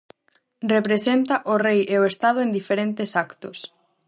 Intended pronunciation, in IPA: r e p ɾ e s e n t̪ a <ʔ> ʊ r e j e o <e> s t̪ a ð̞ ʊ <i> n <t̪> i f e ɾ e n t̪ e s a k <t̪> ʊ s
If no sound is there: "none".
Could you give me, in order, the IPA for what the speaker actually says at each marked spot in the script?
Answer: ʔ, e, e, d̪, t̪

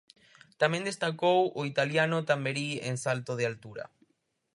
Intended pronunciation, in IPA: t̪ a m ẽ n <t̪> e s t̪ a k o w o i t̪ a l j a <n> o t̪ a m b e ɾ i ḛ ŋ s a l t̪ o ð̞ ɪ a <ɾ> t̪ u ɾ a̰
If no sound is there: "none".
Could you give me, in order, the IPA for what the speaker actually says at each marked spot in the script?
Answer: d̪, n, l

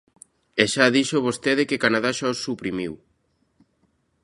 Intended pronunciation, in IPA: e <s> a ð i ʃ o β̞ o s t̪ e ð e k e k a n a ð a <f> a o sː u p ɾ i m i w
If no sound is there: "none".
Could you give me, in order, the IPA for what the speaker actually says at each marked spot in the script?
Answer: ʃ, ʃ

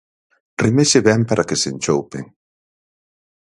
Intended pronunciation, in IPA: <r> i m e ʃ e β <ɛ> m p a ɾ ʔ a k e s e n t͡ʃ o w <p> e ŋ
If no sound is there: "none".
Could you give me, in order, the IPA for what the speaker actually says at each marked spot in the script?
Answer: r, ɛ, p

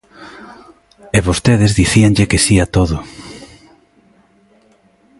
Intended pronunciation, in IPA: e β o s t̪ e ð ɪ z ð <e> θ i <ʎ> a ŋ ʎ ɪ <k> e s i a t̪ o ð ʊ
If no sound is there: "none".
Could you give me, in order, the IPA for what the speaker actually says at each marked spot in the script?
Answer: i, none, k

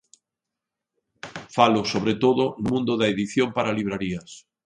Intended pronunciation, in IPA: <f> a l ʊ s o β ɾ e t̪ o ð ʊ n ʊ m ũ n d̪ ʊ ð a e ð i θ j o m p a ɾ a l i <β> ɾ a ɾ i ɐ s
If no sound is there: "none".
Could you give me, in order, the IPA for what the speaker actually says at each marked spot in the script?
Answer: f, β

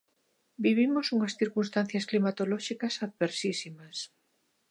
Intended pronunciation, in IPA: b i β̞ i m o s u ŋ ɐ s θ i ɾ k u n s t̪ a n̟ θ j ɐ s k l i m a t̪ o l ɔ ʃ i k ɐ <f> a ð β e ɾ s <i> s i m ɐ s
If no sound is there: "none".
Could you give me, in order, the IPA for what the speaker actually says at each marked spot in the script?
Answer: s, i

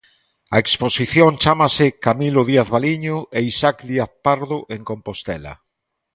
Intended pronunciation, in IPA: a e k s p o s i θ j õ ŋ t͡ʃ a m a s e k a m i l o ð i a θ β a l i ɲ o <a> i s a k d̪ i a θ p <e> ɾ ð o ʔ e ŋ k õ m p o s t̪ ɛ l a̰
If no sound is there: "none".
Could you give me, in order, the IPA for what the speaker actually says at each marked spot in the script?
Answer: e, a

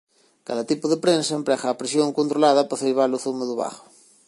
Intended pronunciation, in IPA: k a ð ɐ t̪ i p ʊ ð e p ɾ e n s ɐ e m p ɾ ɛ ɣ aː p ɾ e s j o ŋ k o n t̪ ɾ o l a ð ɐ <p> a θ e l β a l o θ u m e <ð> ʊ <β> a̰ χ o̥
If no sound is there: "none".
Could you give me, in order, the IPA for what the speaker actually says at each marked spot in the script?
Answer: p, ð, β

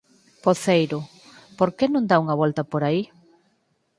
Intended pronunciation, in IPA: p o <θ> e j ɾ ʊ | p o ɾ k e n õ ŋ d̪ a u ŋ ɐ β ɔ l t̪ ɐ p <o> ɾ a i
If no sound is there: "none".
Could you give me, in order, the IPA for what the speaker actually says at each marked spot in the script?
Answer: θ, o

